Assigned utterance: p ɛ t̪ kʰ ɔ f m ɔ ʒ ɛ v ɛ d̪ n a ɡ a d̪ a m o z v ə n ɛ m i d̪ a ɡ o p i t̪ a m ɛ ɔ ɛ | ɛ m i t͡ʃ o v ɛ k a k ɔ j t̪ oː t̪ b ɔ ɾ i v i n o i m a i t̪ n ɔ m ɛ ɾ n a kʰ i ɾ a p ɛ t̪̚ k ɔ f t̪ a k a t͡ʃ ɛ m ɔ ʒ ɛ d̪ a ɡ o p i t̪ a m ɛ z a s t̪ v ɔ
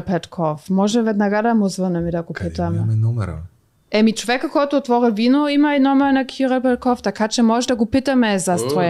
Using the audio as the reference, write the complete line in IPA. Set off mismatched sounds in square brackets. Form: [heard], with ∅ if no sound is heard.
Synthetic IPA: p ɛ t̪ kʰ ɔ f m ɔ ʒ ɛ v ɛ d̪ n a ɡ a d̪ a m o z v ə n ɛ m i d̪ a ɡ o p i t̪ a m ɛ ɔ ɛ | ɛ m i t͡ʃ o v ɛ k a k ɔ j t̪ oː t̪ [v] ɔ ɾ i v i n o i m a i [∅] n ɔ m ɛ ɾ n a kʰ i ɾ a p ɛ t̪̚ k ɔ f t̪ a k a t͡ʃ ɛ m ɔ ʒ ɛ d̪ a ɡ o p i t̪ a m ɛ z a s t̪ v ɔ